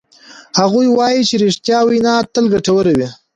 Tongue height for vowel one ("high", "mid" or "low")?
low